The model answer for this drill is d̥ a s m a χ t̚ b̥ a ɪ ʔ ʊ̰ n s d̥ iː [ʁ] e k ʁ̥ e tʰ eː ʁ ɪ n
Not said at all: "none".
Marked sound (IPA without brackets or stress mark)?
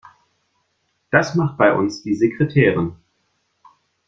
z